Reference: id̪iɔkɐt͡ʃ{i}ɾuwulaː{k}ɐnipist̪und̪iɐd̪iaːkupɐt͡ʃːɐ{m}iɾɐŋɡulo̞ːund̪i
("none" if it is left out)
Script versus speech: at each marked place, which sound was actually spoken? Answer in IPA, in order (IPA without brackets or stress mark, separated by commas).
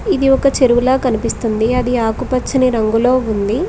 e, k, n